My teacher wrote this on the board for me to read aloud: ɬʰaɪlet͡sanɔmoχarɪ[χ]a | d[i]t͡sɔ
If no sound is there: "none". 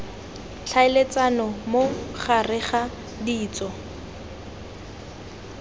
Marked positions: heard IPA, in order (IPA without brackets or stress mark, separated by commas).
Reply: χ, iː